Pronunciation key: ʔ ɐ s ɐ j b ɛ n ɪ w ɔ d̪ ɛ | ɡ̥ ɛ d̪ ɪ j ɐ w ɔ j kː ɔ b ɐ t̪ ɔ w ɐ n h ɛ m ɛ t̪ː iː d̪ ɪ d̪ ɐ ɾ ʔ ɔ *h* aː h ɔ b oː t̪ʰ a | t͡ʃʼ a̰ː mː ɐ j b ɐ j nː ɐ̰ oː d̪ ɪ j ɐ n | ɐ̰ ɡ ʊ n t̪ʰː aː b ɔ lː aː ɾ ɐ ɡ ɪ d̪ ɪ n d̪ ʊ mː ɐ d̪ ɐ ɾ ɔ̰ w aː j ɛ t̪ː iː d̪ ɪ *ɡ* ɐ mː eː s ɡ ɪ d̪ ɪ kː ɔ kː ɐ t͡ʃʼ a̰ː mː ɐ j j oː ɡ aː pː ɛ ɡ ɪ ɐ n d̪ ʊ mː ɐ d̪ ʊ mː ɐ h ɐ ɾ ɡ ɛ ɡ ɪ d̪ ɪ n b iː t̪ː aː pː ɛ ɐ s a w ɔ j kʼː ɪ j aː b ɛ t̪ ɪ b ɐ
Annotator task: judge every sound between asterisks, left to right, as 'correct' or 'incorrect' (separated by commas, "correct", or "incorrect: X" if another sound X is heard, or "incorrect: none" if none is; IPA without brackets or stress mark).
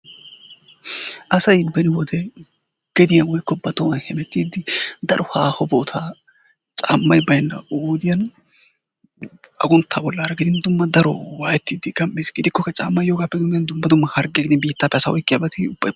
correct, correct